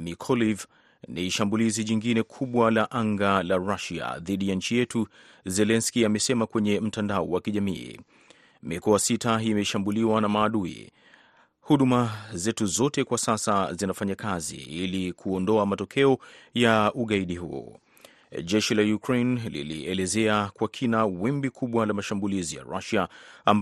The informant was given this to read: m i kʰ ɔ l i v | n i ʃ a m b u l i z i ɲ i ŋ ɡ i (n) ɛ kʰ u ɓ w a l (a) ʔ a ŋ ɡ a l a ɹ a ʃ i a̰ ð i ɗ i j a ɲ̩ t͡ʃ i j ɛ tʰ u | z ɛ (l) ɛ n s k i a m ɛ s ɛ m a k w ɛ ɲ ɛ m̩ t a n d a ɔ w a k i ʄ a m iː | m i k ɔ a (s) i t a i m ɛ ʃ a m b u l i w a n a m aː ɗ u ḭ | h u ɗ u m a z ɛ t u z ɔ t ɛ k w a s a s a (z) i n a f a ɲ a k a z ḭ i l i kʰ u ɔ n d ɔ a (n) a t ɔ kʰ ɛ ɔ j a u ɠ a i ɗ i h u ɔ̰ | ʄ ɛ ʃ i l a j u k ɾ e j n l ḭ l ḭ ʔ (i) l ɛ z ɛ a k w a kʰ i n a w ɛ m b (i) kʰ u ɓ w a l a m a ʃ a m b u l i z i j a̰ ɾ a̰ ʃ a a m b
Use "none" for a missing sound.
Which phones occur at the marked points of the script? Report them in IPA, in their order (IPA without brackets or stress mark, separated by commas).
n, a, l, s, z, m, ɛ, i